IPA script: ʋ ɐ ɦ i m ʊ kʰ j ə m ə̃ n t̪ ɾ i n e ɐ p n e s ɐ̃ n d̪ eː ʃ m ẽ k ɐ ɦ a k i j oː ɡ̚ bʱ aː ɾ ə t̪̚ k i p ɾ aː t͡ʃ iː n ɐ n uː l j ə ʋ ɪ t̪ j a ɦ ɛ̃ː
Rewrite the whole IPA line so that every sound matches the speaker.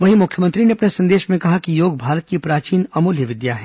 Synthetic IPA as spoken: ʋ ɐ ɦ i m ʊ kʰ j ə m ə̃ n t̪ ɾ i n e ɐ p n e s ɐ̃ n d̪ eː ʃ m ẽ k ɐ ɦ a k i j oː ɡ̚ bʱ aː ɾ ə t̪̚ k i p ɾ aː t͡ʃ iː n ɐ m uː l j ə ʋ ɪ d̪ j a ɦ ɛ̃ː